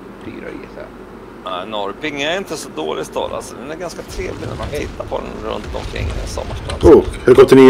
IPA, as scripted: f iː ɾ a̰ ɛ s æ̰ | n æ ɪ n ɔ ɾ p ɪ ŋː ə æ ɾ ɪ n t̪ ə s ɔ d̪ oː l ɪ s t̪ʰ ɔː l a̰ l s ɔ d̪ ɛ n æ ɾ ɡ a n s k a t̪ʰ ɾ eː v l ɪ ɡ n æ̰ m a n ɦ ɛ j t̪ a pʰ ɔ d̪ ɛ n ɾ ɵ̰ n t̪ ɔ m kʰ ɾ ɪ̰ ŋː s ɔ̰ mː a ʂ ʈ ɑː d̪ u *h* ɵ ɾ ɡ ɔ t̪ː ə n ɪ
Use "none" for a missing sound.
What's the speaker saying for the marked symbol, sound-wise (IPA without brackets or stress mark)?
h